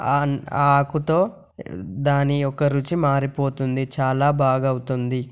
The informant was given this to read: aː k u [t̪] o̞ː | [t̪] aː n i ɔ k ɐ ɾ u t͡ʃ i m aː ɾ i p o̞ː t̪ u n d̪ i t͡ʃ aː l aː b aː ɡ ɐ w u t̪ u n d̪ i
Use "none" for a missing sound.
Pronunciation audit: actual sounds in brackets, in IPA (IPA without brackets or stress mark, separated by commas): t̪, d̪